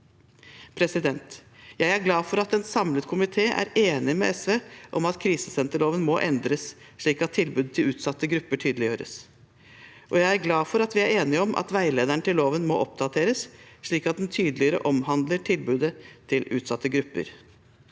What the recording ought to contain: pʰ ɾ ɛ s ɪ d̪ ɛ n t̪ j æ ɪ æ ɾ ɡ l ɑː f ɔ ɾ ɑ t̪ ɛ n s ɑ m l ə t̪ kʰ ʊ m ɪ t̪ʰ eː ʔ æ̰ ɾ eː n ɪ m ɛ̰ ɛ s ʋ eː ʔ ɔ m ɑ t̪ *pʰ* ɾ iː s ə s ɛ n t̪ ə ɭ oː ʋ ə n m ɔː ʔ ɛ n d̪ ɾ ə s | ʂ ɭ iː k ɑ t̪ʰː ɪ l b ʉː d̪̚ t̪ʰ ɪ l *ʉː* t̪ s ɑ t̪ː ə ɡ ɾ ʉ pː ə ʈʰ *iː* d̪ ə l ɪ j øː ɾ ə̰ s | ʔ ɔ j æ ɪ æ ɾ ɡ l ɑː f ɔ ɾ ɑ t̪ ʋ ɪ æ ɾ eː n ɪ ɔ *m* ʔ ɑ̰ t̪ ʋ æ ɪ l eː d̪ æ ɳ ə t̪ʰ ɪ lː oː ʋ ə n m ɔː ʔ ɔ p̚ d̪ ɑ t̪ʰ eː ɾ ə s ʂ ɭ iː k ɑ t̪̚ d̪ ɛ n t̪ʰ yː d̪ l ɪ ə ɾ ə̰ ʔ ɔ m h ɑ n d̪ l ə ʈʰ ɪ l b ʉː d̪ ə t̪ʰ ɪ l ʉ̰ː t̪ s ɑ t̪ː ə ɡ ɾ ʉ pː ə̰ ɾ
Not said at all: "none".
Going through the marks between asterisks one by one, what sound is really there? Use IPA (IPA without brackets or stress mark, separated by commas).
kʰ, ʉː, yː, m